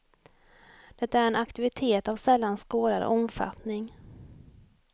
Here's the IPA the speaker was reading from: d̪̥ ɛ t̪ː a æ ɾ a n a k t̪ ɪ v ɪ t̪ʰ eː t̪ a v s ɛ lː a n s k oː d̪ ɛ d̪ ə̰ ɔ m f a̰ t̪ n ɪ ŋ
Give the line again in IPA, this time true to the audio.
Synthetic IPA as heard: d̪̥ ɛ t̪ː a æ ɾ ɛ n a k t̪ ɪ v ɪ t̪ʰ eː t̪ a v s ɛ lː a n s k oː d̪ a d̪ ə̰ ɔ m f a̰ t̪ n ɪ ŋ